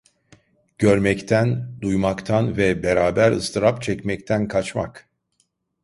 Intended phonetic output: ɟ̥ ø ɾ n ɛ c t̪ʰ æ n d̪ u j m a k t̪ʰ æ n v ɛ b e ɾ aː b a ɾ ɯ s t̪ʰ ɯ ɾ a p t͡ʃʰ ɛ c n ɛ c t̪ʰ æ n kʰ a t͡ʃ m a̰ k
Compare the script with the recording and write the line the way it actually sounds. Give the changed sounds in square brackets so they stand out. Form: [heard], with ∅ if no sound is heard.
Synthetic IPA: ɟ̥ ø ɾ [m] ɛ c t̪ʰ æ n d̪ u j m a k t̪ʰ [a] n v ɛ b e ɾ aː b [æ] ɾ ɯ s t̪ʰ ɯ ɾ a p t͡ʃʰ ɛ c [m] ɛ c t̪ʰ æ n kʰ a t͡ʃ m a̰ k

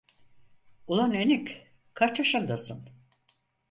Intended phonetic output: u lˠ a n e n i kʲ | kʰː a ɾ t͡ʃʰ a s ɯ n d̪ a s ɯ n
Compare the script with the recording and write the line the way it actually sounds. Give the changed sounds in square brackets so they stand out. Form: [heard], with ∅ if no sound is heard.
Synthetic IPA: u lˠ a n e n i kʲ | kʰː a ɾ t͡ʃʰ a [ʃ] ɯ n d̪ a s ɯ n

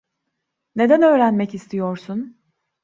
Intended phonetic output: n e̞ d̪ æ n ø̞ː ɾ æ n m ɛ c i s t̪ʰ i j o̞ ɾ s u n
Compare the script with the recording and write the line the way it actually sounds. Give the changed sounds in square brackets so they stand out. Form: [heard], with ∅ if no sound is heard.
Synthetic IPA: n e̞ d̪ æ n ø̞ː ɾ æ n m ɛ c i s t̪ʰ i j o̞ ɾ s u n

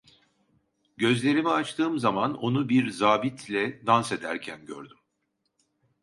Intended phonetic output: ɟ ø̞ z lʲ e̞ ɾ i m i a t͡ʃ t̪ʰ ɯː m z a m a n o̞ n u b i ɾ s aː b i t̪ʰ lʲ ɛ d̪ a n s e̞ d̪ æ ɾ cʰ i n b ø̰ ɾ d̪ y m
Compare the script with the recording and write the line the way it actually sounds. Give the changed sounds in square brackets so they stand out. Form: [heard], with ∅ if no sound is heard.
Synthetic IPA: ɟ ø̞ z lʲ e̞ ɾ i m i a t͡ʃ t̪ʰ ɯː m z a m a n o̞ n u b i ɾ [z] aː b i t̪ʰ lʲ ɛ d̪ a n s e̞ d̪ æ ɾ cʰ [æ] n [ɟ] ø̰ ɾ d̪ y m

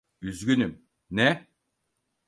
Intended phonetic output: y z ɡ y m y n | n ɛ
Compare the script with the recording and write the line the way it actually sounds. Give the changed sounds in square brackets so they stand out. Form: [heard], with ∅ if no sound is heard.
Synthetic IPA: y z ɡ y [n] y [m] | n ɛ

